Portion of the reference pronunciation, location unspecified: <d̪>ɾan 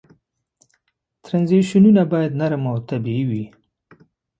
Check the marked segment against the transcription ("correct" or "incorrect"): incorrect